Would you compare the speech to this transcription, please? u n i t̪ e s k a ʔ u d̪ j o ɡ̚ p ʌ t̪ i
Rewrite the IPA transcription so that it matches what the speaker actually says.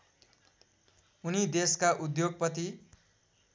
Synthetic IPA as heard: u n i d̪ e s k a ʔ u d̪ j o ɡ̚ p ʌ t̪ i